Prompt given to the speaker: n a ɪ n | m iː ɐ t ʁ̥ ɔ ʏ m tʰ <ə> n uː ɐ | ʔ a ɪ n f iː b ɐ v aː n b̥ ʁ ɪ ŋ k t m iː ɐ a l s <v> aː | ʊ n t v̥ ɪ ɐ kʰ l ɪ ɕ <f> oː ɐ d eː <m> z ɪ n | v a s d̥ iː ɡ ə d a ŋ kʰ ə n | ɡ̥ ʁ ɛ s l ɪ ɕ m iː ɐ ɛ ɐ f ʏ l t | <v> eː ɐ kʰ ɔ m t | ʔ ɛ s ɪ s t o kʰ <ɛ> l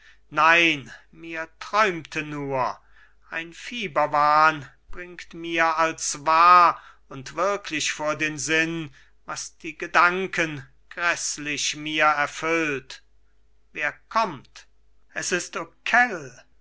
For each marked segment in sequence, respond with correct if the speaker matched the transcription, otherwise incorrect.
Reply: correct, correct, correct, incorrect: n, correct, correct

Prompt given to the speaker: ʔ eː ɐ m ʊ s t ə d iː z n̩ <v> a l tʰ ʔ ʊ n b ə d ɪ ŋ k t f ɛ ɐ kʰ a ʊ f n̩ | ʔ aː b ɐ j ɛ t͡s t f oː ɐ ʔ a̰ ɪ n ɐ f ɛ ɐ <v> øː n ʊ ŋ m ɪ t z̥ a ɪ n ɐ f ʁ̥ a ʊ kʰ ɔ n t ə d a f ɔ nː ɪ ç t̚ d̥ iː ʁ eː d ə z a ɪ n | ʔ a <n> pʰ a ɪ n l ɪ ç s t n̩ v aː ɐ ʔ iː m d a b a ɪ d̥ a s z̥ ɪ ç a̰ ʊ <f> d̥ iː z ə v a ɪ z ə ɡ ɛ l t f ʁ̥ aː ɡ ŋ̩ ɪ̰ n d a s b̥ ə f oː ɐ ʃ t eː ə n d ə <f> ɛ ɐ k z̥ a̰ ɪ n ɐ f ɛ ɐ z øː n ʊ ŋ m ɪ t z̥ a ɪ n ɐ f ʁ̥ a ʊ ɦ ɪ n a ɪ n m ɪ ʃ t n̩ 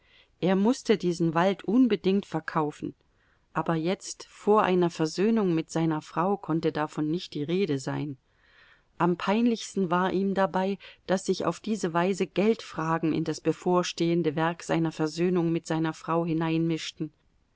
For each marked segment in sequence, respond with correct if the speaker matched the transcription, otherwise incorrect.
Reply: correct, incorrect: z, incorrect: m, correct, incorrect: v

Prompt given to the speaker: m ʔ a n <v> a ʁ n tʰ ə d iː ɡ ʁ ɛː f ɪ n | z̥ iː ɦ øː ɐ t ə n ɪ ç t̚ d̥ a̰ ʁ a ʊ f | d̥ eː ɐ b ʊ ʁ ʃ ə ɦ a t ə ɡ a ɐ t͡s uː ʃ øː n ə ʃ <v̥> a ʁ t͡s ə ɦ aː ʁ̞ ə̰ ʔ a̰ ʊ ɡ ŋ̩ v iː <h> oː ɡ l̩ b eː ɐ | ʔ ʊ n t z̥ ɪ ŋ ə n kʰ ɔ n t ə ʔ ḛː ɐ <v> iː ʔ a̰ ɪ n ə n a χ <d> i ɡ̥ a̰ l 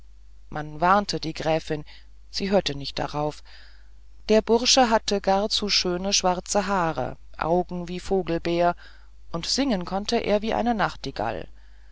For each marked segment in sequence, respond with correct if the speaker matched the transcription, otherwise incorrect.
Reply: correct, correct, incorrect: f, correct, incorrect: t

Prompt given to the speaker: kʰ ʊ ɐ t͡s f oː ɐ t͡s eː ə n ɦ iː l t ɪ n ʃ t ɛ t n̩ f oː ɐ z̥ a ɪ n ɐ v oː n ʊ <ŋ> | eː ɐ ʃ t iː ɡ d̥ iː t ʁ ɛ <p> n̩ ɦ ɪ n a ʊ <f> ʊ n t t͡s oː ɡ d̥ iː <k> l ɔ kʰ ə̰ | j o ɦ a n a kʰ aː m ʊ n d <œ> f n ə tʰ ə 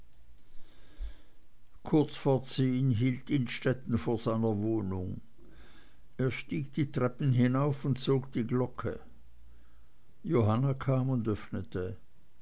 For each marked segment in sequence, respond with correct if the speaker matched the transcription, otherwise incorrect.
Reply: correct, correct, correct, incorrect: ɡ, correct

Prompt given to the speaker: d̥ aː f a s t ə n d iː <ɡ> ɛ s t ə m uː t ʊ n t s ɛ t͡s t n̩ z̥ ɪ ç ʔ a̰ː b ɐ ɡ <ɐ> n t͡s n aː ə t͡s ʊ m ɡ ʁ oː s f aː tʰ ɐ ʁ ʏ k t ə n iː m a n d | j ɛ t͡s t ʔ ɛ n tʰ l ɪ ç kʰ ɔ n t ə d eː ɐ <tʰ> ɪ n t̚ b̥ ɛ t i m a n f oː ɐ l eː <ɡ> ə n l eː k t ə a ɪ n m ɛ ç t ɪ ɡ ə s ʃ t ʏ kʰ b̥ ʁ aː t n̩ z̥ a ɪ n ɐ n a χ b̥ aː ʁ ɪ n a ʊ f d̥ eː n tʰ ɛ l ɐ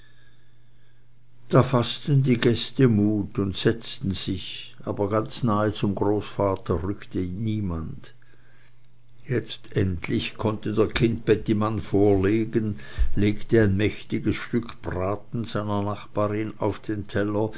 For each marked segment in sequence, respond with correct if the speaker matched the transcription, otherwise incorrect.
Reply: correct, incorrect: a, incorrect: kʰ, correct

